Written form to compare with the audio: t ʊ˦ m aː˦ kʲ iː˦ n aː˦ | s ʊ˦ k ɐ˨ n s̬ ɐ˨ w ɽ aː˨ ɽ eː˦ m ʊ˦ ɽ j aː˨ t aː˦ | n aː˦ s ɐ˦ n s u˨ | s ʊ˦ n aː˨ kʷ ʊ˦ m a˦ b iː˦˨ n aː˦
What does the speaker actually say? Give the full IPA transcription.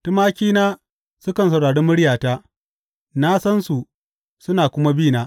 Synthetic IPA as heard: t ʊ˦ m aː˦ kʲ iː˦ n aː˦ | s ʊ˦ k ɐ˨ n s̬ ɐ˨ w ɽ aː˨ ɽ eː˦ m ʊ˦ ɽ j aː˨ t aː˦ | n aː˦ s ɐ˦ n s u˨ | s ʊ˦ n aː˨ kʷ ʊ˦ m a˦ b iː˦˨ n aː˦

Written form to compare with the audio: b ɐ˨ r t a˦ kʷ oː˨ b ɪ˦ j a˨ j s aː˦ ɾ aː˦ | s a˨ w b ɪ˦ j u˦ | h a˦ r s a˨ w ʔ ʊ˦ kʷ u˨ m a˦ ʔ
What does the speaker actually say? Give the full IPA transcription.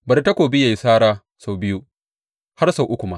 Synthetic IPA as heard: b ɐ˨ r t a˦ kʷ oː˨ b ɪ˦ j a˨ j s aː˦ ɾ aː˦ | s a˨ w b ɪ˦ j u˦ | h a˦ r s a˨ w ʔ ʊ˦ kʷ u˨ m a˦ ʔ

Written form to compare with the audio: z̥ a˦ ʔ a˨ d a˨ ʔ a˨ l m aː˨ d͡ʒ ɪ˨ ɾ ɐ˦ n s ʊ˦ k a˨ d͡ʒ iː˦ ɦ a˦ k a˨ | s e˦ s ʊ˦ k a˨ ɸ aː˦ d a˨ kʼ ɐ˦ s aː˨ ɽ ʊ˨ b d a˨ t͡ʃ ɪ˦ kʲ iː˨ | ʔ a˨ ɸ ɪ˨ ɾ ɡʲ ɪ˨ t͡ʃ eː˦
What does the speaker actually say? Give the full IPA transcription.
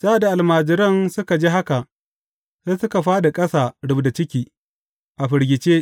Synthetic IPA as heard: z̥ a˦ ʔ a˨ d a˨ ʔ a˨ l m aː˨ d͡ʒ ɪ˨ ɾ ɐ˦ n s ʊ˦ k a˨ d͡ʒ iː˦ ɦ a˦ k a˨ | s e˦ s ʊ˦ k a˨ ɸ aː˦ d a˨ kʼ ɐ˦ s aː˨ ɽ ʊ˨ b d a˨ t͡ʃ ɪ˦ kʲ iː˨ | ʔ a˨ ɸ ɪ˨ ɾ ɡʲ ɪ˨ t͡ʃ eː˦

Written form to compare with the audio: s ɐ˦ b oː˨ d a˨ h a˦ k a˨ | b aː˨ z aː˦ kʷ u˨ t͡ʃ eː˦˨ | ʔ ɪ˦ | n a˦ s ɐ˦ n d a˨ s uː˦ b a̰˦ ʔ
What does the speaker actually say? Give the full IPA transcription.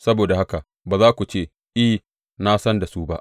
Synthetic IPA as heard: s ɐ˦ b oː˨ d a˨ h a˦ k a˨ | b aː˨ z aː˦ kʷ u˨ t͡ʃ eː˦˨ | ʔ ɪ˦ | n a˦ s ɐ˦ n d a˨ s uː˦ b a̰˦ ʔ

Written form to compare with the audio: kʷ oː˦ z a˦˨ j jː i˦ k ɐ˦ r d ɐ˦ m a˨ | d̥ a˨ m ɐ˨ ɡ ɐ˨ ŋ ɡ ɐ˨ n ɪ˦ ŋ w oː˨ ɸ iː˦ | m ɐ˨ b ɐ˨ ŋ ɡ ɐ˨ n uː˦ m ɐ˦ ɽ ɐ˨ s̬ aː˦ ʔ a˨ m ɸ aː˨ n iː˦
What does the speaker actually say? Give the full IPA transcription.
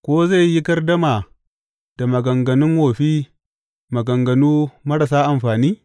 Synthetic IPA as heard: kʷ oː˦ z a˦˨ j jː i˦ k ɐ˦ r d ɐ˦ m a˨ | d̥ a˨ m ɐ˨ ɡ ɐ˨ ŋ ɡ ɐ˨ n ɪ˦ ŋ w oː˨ ɸ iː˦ | m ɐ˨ ɡ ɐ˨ ŋ ɡ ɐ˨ n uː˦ m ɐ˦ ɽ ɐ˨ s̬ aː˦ ʔ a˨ m ɸ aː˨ n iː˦

